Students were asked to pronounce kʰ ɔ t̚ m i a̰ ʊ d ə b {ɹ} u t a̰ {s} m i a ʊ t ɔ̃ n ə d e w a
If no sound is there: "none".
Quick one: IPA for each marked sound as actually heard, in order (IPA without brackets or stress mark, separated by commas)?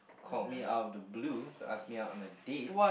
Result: l, s